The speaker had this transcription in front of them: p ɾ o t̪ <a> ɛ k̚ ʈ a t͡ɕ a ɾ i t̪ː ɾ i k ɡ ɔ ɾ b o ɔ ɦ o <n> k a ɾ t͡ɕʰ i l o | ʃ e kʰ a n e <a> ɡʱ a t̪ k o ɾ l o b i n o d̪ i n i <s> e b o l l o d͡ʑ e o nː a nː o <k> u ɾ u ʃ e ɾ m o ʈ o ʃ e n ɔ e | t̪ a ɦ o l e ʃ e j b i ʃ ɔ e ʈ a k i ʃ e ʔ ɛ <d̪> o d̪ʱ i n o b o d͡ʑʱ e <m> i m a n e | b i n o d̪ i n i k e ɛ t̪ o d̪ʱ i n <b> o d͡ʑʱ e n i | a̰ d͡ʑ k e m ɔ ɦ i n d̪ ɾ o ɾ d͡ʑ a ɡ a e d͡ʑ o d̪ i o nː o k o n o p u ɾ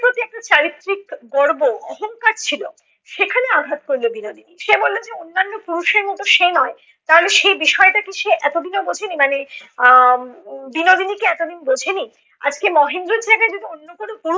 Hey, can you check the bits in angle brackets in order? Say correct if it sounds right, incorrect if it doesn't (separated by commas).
incorrect, incorrect, correct, incorrect, incorrect, incorrect, incorrect, correct